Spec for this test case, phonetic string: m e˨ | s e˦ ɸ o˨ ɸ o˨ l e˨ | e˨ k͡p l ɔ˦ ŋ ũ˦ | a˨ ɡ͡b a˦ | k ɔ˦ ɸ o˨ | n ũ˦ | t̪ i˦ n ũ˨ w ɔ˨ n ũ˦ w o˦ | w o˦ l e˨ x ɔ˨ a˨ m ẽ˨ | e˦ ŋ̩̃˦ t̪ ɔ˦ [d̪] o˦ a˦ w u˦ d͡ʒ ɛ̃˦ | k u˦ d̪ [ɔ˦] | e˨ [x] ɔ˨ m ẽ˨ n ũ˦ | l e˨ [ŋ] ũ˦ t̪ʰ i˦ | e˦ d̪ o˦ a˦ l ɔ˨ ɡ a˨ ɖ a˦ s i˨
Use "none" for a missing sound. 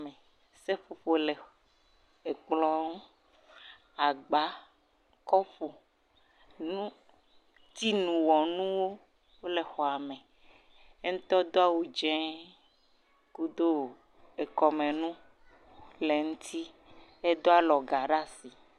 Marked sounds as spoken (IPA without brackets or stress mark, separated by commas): d̪, o˦, k, ŋ